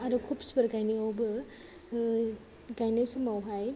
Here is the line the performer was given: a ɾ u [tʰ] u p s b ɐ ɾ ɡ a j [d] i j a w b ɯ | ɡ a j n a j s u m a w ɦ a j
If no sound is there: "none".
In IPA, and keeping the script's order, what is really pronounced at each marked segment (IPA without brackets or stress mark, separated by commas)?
kʰ, n